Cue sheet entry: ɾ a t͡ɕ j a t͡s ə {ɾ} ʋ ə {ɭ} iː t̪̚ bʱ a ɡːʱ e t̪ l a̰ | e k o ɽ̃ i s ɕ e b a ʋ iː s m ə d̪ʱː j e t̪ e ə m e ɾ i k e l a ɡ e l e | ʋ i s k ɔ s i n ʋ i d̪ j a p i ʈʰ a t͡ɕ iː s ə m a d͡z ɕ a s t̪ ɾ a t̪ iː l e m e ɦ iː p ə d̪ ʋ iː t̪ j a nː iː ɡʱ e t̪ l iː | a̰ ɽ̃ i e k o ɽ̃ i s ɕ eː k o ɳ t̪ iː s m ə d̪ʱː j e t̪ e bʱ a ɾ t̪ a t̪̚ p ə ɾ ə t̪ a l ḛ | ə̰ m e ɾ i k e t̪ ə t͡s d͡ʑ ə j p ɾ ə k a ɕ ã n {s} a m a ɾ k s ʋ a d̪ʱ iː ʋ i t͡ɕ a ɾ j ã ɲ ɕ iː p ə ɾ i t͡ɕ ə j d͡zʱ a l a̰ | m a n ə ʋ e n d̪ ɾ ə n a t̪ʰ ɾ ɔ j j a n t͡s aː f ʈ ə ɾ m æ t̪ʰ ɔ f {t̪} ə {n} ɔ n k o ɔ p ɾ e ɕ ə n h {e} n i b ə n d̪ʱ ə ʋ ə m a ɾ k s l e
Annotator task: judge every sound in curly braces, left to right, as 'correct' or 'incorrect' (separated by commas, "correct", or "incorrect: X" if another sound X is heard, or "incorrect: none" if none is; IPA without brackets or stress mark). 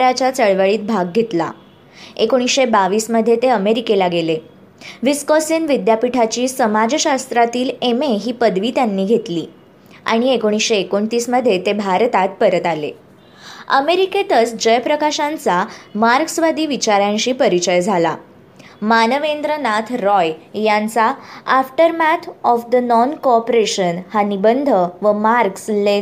incorrect: ɭ, correct, incorrect: t͡s, incorrect: d̪, correct, incorrect: a